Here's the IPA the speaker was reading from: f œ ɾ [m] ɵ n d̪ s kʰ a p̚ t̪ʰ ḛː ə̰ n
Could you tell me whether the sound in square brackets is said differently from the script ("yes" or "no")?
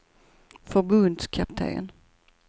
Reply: yes